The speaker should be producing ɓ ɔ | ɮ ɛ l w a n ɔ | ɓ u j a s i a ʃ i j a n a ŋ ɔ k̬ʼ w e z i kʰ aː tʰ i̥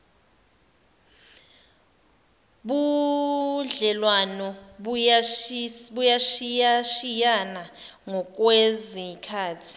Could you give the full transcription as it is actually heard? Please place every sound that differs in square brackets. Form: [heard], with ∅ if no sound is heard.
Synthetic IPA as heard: ɓ [u] | ɮ ɛ l w a n ɔ | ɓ u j a [ʃ] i a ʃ i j a n a ŋ ɔ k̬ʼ w e z i kʰ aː tʰ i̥